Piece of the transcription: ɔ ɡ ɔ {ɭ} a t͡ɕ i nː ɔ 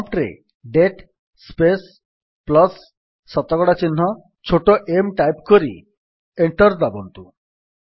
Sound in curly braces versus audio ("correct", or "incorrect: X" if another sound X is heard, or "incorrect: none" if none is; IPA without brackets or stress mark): incorrect: ɽ